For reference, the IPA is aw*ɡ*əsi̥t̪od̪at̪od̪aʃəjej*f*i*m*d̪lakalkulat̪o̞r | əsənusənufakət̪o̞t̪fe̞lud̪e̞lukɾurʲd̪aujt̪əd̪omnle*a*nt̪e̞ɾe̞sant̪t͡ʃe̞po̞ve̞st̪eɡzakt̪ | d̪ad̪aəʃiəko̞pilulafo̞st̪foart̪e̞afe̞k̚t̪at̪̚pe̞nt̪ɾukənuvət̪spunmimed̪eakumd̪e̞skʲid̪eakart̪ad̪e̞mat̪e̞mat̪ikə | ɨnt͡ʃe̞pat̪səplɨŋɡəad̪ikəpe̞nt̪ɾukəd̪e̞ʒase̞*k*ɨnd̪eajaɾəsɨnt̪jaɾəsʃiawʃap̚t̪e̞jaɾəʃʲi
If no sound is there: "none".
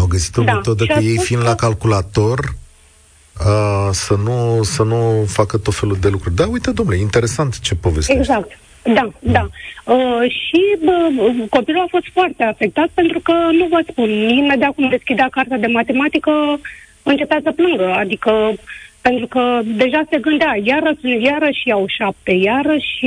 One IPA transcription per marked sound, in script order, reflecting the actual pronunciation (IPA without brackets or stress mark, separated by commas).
ɡ, f, n, i, ɡ